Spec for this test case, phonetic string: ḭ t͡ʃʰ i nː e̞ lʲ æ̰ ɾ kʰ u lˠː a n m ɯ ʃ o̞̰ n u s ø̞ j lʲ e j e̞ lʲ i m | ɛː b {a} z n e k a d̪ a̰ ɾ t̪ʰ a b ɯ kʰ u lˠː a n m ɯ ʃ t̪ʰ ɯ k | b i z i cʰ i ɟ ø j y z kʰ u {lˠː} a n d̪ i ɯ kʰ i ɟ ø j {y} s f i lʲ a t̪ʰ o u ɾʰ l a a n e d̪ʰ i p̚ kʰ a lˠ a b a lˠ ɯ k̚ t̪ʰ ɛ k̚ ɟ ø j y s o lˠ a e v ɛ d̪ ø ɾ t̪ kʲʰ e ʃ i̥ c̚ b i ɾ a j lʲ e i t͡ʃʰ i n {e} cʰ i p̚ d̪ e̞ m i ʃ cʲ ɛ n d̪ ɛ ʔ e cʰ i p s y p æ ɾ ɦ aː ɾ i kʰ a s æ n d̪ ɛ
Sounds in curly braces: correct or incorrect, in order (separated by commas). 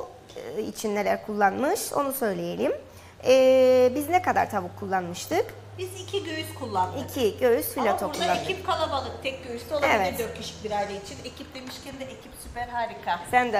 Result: incorrect, correct, correct, correct